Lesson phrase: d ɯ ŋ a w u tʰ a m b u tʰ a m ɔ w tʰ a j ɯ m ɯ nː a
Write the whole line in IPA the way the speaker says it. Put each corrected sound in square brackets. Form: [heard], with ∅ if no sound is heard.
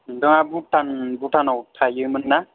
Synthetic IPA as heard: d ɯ ŋ a [b] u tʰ a [n] b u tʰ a [n] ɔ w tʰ a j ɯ m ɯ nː a